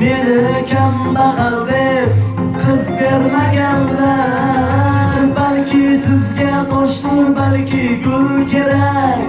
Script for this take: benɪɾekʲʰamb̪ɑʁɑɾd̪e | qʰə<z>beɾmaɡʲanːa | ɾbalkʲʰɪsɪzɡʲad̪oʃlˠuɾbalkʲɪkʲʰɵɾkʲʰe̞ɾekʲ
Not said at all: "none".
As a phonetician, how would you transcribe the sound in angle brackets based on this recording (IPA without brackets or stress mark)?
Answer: z